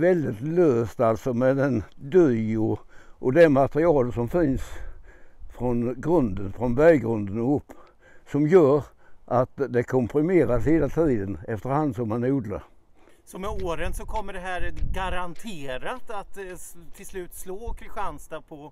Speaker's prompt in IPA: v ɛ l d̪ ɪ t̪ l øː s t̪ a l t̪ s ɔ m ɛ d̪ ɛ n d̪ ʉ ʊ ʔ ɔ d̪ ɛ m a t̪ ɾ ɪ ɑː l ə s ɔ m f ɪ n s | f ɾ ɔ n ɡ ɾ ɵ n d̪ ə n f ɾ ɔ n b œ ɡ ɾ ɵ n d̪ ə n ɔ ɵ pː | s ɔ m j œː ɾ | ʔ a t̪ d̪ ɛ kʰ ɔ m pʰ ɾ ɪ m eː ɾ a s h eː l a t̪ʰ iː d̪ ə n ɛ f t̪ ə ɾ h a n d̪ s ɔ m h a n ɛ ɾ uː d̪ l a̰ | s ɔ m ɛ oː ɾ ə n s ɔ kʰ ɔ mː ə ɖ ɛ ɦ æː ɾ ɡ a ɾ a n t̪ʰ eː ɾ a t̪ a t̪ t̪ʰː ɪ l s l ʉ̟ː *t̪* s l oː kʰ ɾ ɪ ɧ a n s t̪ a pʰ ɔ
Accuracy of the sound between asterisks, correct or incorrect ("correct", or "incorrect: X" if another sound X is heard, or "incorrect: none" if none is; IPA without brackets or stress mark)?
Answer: correct